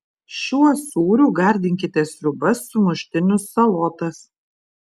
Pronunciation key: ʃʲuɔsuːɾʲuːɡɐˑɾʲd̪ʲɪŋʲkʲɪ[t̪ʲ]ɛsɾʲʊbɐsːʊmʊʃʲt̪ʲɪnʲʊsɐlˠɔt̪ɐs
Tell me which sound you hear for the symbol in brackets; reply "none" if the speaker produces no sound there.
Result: t̪ʲ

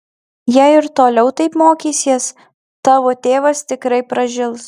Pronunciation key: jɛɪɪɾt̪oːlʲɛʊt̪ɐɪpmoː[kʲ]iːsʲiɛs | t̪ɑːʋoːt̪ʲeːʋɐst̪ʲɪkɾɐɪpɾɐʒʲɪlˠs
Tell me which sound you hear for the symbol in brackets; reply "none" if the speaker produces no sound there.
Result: kʲ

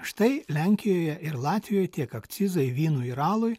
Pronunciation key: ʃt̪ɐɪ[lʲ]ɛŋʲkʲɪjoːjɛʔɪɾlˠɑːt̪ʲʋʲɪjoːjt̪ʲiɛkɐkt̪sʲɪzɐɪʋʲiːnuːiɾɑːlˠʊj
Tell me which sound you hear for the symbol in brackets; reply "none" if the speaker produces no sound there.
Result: lʲ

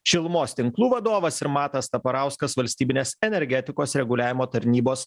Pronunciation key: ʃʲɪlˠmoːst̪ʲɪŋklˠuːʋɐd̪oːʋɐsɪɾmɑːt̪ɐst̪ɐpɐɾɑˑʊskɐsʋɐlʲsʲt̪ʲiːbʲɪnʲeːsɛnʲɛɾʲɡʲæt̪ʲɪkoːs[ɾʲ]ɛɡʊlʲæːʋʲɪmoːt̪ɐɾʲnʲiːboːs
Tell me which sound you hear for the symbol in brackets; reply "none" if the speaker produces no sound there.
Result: ɾʲ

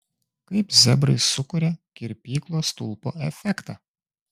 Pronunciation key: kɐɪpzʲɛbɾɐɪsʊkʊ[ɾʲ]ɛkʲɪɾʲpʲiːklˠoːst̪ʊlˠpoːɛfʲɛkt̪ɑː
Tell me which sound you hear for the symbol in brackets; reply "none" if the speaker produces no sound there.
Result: ɾʲ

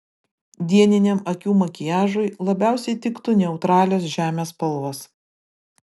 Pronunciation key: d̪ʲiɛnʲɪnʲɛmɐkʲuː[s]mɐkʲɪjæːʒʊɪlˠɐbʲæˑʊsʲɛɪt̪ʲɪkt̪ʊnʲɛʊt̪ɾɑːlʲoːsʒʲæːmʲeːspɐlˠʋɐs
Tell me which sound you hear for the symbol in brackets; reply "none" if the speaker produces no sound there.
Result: none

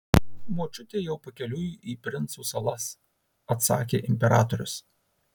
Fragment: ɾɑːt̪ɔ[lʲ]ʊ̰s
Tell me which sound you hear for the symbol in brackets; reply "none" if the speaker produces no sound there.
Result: ɾʲ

